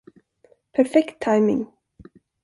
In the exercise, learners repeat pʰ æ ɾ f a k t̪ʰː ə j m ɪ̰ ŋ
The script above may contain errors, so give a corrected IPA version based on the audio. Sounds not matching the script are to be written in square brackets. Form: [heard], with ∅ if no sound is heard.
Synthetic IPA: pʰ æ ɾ f [ɛ] k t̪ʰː [a] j m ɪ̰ ŋ